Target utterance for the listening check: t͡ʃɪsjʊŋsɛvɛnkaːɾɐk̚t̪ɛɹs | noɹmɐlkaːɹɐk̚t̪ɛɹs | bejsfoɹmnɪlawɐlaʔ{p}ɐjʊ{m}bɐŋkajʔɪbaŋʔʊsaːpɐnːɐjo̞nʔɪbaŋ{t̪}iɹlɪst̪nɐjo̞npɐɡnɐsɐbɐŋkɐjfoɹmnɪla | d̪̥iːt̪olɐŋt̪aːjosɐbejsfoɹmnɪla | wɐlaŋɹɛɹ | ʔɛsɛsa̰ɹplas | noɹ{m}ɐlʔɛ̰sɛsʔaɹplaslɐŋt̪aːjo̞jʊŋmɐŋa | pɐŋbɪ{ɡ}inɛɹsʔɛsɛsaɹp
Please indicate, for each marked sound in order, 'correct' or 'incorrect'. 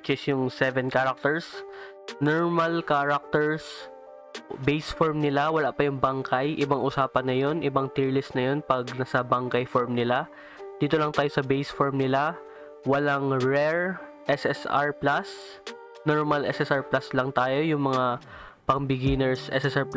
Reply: correct, incorrect: ŋ, correct, correct, correct

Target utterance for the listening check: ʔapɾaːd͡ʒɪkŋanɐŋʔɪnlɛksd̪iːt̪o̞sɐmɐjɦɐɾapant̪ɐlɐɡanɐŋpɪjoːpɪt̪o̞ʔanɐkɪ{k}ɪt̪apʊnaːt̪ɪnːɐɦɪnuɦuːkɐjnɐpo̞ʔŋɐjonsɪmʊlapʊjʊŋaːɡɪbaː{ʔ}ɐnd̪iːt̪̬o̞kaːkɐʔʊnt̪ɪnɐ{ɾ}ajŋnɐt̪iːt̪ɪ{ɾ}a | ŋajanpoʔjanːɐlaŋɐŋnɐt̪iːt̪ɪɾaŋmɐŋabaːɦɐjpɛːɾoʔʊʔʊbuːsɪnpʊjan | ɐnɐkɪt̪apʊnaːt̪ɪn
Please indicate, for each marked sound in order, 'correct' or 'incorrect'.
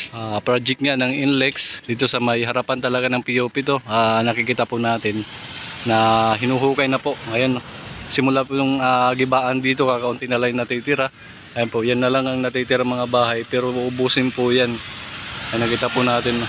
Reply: correct, correct, incorrect: l, correct

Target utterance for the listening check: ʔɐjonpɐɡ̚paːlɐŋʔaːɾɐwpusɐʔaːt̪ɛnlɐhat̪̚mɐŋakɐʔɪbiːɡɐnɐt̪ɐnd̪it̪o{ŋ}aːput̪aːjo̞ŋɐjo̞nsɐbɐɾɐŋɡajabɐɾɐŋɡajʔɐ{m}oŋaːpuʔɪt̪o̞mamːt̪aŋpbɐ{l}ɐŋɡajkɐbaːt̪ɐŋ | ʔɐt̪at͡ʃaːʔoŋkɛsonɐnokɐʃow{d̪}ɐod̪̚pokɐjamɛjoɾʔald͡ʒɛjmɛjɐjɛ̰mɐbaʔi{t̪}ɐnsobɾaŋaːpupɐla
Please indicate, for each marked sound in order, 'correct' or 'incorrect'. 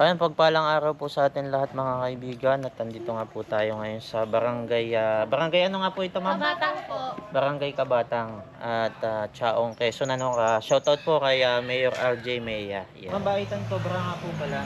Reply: correct, incorrect: n, incorrect: ɾ, incorrect: t̪, correct

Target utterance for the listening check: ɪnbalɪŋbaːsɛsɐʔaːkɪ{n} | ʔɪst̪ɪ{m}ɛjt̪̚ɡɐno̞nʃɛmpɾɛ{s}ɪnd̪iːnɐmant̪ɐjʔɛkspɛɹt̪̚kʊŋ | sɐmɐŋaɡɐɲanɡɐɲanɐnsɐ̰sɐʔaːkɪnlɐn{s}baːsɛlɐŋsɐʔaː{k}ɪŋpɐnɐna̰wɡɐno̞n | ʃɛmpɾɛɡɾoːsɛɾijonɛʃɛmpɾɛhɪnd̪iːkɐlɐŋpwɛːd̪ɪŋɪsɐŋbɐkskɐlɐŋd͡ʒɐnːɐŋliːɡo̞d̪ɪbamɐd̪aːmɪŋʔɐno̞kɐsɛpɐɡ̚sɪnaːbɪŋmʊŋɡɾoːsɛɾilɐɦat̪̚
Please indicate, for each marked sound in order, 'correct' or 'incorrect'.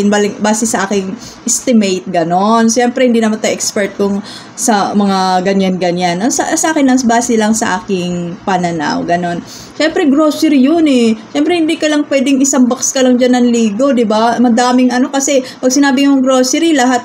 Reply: incorrect: ŋ, correct, incorrect: h, correct, correct

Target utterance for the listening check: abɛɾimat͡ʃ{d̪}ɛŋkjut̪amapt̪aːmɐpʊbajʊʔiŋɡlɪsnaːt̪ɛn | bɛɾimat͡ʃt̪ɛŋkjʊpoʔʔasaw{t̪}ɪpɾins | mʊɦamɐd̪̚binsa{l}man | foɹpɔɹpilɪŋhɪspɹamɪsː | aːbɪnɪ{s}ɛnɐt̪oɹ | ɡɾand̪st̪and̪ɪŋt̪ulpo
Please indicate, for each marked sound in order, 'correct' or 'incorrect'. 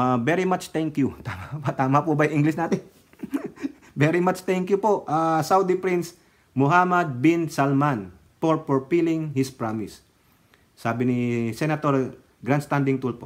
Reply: incorrect: t̪, incorrect: d̪, correct, correct

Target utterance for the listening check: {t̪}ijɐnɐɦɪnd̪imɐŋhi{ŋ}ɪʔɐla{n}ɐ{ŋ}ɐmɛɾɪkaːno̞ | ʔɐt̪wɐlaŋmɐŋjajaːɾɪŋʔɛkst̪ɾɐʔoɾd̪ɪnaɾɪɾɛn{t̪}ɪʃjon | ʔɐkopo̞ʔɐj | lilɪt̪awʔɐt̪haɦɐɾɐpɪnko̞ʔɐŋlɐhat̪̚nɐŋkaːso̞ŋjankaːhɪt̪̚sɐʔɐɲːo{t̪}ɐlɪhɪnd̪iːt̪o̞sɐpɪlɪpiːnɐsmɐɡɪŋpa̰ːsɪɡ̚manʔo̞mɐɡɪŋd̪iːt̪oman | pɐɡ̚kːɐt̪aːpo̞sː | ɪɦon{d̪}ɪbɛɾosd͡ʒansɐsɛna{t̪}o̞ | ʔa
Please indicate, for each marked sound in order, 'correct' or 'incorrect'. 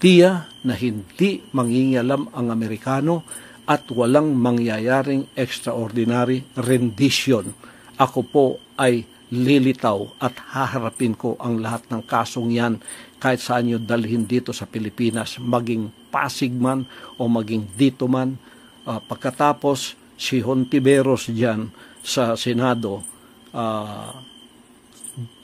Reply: correct, correct, incorrect: m, correct, incorrect: d̪, incorrect: d̪, incorrect: t̪, incorrect: d̪

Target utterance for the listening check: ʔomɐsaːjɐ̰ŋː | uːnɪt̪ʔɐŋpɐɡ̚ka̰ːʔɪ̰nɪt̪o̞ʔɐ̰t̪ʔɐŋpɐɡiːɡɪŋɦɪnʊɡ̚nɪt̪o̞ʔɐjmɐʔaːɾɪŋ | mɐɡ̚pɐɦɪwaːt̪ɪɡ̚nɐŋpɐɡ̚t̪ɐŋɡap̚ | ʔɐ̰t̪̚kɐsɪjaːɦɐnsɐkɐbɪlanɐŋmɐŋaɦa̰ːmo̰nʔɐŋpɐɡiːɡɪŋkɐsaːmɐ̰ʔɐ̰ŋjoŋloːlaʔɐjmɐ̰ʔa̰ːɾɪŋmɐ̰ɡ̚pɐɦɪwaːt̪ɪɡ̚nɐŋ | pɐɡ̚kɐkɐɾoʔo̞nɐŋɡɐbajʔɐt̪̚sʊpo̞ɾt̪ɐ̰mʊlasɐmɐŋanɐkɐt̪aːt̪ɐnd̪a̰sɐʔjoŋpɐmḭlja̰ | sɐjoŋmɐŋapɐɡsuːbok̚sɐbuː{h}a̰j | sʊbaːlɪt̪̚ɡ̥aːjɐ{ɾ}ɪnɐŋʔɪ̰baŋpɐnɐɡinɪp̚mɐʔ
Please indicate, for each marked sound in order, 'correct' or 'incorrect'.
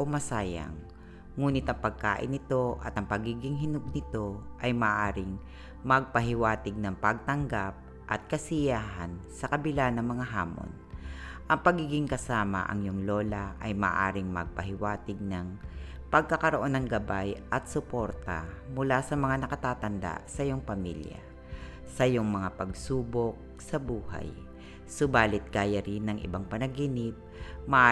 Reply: correct, correct

